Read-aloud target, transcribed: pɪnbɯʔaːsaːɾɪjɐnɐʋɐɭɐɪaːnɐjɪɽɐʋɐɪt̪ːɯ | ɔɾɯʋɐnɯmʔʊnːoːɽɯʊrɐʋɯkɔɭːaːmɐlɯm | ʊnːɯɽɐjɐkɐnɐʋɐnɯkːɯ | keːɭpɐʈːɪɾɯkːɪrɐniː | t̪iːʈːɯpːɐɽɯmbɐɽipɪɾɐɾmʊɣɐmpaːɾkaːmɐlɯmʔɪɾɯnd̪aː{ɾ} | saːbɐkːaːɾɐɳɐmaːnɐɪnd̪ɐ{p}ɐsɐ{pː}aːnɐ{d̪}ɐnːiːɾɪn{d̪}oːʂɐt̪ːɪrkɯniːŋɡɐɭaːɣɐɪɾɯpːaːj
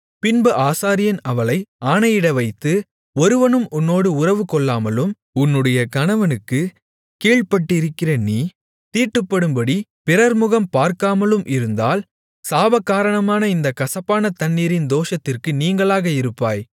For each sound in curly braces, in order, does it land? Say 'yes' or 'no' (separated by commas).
no, no, yes, no, yes